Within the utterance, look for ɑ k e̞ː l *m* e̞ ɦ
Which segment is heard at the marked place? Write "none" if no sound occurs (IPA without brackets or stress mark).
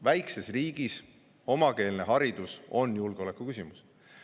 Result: n